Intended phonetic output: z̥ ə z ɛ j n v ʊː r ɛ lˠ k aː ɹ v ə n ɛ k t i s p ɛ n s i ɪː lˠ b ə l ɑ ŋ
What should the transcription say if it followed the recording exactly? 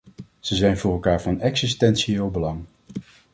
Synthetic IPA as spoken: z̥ ə z ɛ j n v ʊː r ɛ lˠ k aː ɹ v ɑ n ɛ k s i s t ɛ n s i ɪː lˠ b ə l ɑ ŋ